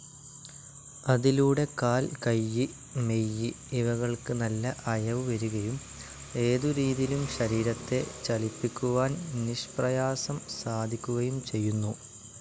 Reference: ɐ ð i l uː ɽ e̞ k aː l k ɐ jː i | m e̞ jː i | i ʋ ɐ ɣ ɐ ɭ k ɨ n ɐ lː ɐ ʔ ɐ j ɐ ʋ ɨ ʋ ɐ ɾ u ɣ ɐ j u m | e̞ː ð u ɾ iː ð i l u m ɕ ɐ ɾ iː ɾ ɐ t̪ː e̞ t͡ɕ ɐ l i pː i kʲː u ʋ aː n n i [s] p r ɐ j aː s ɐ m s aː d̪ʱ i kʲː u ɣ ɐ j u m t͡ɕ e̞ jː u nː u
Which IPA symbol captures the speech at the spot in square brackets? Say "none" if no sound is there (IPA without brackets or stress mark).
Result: ʂ